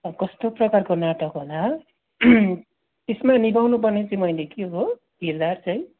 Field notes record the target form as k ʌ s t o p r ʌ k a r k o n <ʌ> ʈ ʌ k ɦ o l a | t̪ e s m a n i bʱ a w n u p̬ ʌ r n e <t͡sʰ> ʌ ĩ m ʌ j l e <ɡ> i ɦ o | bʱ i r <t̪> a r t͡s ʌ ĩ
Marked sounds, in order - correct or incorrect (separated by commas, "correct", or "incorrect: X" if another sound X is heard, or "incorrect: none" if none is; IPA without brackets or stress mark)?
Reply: incorrect: a, incorrect: t͡s, incorrect: k, incorrect: d̪